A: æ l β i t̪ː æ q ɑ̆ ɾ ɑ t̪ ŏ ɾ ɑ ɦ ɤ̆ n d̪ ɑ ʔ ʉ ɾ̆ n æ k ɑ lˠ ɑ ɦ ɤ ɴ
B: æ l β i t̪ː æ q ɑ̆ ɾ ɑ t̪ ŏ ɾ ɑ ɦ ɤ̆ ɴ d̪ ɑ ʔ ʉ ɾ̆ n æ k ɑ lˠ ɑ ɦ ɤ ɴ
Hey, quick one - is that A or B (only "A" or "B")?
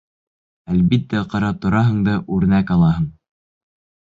B